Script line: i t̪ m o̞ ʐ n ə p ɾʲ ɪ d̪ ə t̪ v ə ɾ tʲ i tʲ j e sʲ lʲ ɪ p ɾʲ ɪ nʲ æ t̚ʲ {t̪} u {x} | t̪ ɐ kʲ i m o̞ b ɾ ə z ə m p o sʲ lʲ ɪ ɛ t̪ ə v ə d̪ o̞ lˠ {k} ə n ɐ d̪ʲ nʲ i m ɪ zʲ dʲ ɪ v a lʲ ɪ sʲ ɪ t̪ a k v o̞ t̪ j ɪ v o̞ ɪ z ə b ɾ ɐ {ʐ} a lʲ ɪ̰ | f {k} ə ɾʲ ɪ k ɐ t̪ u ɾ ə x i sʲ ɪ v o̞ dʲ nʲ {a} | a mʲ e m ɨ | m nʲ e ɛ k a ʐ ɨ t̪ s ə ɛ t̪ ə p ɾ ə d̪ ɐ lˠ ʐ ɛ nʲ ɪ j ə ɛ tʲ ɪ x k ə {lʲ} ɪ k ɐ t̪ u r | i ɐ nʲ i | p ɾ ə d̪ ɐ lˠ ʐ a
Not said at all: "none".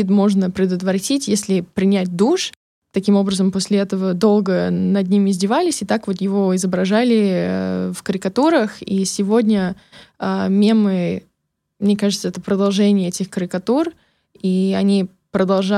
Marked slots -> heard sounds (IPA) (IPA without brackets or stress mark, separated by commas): d̪, ʂ, ɡ, ʐ, k, ə, ɾʲ